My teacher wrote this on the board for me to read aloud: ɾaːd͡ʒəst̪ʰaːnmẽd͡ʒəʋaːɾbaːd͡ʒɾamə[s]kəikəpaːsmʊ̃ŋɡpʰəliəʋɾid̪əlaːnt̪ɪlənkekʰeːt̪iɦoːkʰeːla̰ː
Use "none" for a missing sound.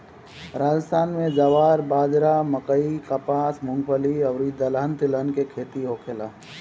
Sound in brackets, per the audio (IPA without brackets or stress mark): none